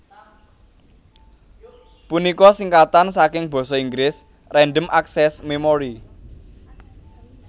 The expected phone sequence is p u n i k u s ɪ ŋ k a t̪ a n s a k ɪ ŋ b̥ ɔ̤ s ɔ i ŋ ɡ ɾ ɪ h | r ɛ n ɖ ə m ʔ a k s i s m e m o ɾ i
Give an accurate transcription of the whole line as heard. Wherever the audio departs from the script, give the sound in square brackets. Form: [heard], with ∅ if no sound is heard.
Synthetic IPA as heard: p u n i k [ɔ] s [i] ŋ k a t̪ a n s a k ɪ ŋ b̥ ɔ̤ s ɔ i ŋ ɡ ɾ ɪ [s] | r ɛ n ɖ ə m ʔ a k s [ɛ] s m e m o ɾ i

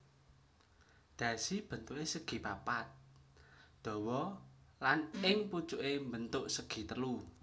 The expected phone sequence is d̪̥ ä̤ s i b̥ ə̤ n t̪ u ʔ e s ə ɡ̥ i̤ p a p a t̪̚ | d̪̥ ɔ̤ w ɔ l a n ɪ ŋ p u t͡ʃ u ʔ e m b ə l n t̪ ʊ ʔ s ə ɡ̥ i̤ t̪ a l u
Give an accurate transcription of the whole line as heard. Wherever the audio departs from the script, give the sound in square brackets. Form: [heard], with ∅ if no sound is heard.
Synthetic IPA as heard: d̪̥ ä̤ s i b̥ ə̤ n t̪ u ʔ e s ə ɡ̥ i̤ p a p a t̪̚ | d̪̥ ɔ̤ w ɔ l a n ɪ ŋ p u t͡ʃ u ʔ e m b ə [∅] n t̪ ʊ ʔ s ə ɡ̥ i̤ t̪ [ə] l u

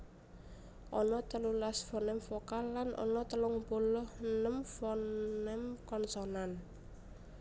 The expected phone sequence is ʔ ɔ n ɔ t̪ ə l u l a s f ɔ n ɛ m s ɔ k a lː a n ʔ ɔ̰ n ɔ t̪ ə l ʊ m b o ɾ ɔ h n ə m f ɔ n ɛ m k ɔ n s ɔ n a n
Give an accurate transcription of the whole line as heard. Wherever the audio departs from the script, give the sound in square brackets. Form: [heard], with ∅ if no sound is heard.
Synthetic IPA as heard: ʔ ɔ n ɔ t̪ ə l u l a s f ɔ n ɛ m [f] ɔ k a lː a n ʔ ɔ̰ n ɔ t̪ ə l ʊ [ŋ] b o [l] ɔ h n ə m f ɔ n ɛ m k ɔ n s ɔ n a n

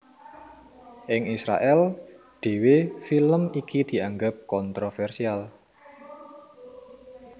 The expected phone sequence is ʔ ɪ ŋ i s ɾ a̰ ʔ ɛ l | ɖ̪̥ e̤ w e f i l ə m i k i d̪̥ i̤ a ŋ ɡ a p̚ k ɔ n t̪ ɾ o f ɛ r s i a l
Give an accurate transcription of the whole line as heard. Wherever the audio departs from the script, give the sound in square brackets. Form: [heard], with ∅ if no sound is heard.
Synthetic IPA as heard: ʔ ɪ ŋ i s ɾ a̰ ʔ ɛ l | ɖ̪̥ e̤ w e f i l ə m i k i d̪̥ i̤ a ŋ ɡ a p̚ k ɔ n t̪ ɾ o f ɛ r s i a l

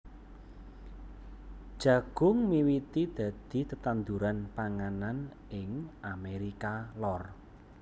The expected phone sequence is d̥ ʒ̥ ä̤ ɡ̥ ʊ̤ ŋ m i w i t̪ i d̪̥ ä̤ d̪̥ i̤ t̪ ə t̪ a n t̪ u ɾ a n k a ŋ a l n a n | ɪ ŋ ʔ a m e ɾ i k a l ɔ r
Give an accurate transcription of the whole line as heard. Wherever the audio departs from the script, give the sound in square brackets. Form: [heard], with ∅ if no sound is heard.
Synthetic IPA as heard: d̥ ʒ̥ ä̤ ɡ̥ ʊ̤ ŋ m i w i t̪ i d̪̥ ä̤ d̪̥ i̤ t̪ ə t̪ a n [d̪] u ɾ a n [p] a ŋ a [∅] n a n | ɪ ŋ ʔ a m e ɾ i k a l ɔ r

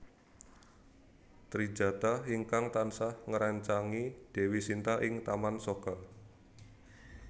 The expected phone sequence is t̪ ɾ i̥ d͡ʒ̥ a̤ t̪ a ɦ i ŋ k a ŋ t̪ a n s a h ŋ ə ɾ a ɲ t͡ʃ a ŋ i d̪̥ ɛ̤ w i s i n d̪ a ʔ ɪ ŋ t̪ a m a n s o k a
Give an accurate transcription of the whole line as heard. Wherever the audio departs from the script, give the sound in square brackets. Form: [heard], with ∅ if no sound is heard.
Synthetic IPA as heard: t̪ ɾ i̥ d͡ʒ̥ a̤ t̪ a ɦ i ŋ k a ŋ t̪ a n s a h ŋ ə ɾ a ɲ t͡ʃ a ŋ i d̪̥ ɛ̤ w i s i n [t̪] a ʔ ɪ ŋ t̪ a m a n s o k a

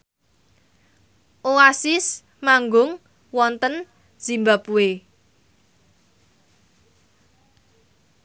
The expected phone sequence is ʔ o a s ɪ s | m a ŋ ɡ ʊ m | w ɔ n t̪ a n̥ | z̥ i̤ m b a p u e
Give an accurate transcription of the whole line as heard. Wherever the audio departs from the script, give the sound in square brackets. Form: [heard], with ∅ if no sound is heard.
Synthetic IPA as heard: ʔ o a s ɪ s | m a ŋ ɡ ʊ [ŋ] | w ɔ n t̪ [ə] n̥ | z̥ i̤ m b a p u e

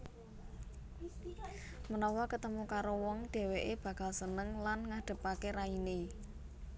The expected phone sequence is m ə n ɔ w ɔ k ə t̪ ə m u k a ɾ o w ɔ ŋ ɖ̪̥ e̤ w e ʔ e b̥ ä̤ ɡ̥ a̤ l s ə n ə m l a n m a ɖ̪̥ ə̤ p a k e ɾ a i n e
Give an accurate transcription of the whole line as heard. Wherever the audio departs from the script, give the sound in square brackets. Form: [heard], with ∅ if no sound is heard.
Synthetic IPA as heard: m ə n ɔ w ɔ k ə t̪ ə m u k a ɾ o w ɔ ŋ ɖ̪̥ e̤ w e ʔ e b̥ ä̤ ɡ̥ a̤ l s ə n ə [ŋ] l a n [ŋ] a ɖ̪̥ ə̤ p a k e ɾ a i n e

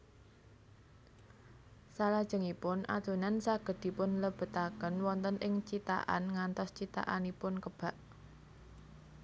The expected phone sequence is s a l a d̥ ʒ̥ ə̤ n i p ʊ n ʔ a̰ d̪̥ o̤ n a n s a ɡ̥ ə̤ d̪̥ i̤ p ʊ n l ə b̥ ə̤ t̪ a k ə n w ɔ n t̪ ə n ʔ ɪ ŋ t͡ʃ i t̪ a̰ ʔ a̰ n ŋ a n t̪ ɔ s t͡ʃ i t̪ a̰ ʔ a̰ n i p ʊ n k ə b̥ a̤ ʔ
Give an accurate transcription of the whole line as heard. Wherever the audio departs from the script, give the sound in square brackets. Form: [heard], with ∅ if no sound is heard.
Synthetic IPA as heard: s a l a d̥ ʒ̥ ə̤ [ŋ] i p ʊ n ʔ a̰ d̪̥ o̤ n a n s a ɡ̥ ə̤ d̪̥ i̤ p ʊ n l ə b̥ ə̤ t̪ a k ə n w ɔ n t̪ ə n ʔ ɪ ŋ t͡ʃ i t̪ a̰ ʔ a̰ n ŋ a n t̪ ɔ s t͡ʃ i t̪ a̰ ʔ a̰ n i p ʊ n k ə b̥ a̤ ʔ

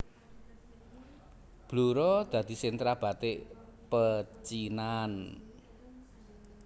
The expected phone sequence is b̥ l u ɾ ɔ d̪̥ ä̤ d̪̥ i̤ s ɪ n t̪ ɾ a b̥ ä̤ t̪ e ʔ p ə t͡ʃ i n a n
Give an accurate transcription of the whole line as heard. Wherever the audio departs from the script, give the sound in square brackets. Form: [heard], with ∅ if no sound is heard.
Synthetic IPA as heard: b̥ l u ɾ ɔ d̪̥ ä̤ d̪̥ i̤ s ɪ n t̪ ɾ a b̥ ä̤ t̪ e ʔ p ə t͡ʃ i n a n

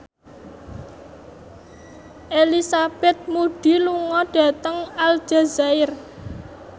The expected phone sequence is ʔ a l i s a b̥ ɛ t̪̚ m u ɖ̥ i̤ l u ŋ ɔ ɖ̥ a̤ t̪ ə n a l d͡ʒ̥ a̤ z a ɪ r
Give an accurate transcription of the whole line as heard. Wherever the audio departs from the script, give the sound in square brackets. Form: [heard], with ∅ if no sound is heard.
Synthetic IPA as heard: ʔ [e] l i s a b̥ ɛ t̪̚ m u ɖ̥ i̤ l u ŋ ɔ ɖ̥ a̤ t̪ ə [ŋ] a l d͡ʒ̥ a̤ z a ɪ r

